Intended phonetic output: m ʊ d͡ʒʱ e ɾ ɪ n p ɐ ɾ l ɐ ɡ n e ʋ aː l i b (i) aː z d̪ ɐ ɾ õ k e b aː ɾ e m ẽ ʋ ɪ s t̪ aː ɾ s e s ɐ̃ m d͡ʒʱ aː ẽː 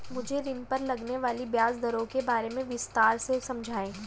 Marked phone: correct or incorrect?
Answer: incorrect: j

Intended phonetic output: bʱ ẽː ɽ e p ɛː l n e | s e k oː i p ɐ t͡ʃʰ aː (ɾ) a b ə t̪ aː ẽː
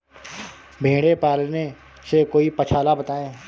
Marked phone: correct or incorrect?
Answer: incorrect: l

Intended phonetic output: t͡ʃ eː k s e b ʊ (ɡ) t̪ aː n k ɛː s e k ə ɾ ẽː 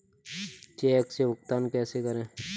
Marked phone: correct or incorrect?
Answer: incorrect: k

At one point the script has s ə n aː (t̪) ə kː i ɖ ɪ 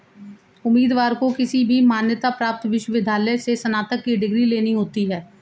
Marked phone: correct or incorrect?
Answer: correct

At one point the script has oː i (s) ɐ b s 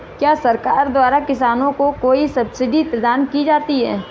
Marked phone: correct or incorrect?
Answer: correct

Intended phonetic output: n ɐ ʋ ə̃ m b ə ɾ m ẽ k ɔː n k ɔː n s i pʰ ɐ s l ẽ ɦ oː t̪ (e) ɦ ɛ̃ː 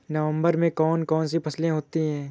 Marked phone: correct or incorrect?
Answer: incorrect: i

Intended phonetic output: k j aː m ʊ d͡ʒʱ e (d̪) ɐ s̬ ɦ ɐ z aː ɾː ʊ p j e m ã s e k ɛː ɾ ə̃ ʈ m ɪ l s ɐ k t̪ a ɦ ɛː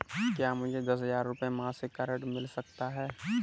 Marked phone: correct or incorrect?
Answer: correct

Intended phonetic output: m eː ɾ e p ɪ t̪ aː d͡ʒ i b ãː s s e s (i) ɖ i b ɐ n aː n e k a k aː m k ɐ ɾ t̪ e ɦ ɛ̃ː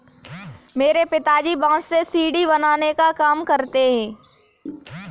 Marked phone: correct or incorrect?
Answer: incorrect: iː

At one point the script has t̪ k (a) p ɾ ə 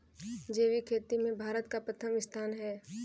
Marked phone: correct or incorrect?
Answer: correct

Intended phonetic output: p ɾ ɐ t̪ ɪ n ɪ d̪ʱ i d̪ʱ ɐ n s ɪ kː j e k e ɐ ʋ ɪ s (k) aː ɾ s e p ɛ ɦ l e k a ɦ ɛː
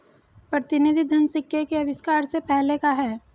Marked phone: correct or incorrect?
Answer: correct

